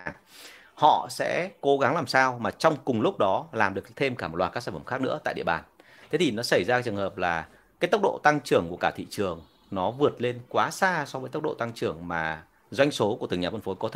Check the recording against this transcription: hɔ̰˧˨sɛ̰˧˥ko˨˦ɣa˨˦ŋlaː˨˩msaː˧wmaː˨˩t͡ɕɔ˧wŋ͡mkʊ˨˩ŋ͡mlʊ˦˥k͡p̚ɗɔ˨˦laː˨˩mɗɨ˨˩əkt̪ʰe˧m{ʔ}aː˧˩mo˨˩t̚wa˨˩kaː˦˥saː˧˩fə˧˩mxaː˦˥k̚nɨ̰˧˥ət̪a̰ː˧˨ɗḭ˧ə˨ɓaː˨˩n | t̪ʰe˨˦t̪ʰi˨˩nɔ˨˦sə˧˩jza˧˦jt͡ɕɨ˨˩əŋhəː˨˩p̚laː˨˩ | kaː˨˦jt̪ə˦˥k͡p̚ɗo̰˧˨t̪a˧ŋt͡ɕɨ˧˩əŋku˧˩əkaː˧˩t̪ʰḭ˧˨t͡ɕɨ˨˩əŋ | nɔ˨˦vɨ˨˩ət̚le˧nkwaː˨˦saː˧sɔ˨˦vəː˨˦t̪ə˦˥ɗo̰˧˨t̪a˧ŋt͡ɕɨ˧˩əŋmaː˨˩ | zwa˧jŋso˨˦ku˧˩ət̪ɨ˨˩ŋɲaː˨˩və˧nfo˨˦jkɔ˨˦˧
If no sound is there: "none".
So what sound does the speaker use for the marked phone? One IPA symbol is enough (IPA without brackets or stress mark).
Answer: k